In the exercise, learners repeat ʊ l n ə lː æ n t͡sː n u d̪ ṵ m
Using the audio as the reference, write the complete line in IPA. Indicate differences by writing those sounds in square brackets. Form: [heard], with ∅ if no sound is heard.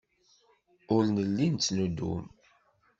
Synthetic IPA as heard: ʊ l n ə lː [i] n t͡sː n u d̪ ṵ m

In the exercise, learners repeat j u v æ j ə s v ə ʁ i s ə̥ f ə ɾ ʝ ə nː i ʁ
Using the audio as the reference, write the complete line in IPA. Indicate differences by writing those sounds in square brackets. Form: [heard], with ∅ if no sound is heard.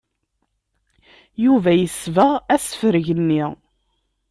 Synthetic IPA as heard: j u v æ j ə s v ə ʁ [æ] s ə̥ f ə ɾ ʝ ə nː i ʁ

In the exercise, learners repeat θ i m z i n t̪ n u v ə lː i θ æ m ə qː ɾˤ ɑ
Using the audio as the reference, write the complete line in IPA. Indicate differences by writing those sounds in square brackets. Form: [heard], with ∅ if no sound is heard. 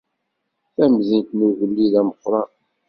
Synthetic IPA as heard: θ [æ] m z i n t̪ n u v ə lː i [ð] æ m ə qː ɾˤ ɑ

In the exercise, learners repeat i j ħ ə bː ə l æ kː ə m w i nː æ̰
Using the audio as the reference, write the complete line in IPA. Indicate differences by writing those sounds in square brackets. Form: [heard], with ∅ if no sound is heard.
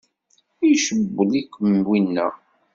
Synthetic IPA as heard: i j [ʃ] ə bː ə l [i] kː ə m w i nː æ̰

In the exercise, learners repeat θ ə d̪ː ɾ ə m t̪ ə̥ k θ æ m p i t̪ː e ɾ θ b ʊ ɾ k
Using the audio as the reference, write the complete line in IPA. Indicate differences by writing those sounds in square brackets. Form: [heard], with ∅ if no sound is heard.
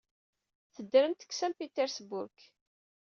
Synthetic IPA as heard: θ ə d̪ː ɾ ə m t̪ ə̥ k [s] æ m p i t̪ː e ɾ [s] b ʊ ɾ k

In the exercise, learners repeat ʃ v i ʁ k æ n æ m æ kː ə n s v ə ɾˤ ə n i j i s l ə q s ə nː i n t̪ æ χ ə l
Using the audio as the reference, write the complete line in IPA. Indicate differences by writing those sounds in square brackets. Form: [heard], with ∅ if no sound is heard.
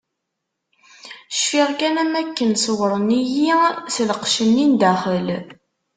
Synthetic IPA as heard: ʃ [f] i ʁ k æ n æ m æ kː ə n s [w] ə ɾˤ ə n i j i s l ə q [ʃ] ə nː i n [d̪] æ χ ə l

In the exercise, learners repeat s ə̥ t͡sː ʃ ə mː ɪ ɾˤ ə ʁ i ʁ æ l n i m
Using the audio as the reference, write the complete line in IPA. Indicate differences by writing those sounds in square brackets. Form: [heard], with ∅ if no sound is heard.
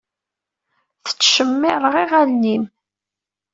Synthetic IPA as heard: [θ] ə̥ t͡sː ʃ ə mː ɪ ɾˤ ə ʁ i ʁ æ l n i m

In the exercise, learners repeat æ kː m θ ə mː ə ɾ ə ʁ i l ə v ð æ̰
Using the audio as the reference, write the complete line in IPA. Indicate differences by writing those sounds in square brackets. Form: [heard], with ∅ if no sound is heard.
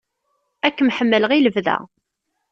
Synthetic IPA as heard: æ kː m [ħ] ə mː ə [l] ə ʁ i l ə v ð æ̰

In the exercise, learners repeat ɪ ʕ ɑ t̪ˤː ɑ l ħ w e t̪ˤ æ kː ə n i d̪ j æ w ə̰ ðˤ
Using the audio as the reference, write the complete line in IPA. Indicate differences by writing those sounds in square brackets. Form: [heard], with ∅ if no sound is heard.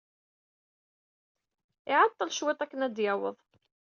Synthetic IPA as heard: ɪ ʕ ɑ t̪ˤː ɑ l [ʃ] w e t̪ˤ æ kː ə n [æ] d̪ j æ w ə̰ ðˤ

